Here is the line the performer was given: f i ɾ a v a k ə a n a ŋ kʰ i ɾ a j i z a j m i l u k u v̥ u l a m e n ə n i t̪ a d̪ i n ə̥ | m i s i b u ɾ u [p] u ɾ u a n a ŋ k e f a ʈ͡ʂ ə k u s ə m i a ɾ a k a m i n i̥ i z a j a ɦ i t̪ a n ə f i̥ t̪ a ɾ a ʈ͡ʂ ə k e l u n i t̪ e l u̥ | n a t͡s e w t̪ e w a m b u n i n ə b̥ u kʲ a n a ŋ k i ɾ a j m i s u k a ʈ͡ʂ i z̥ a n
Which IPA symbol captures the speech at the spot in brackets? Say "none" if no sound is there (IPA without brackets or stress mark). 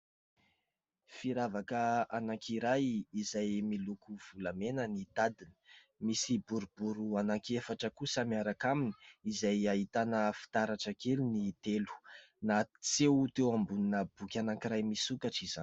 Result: b